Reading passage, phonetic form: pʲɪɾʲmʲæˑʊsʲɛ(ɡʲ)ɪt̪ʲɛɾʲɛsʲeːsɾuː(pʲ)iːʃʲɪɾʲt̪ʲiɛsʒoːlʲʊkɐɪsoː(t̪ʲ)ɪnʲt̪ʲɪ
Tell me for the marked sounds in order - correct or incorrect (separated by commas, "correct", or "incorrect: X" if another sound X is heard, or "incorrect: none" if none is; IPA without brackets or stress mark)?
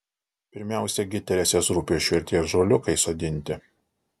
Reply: correct, correct, incorrect: d̪ʲ